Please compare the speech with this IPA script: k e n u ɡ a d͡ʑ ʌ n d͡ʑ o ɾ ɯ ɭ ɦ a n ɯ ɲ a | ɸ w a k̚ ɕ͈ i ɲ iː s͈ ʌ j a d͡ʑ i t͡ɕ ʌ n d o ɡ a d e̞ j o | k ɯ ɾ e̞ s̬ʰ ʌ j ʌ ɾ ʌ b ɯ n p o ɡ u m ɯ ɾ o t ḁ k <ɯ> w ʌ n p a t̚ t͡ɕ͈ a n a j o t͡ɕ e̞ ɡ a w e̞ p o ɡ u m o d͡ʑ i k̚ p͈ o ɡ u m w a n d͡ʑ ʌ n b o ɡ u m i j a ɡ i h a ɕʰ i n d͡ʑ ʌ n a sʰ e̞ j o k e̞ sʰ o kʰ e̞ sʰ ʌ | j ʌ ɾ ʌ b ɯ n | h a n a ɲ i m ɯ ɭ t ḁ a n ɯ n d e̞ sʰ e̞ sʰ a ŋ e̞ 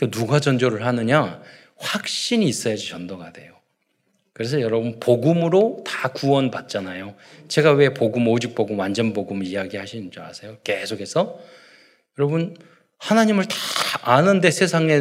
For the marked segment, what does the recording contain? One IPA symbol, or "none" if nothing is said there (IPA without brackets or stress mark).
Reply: u